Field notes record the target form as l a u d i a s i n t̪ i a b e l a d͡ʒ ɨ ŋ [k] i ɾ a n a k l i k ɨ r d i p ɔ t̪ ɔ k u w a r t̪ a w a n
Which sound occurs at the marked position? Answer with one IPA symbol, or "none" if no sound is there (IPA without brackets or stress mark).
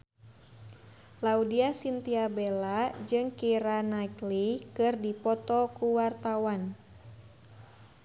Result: k